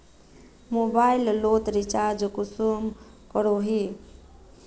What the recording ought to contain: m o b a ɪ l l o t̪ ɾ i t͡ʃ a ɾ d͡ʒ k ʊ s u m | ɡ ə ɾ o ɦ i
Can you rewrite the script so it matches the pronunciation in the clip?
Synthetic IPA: m o b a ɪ l l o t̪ ɾ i t͡ʃ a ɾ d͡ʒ k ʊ s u m | k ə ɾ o ɦ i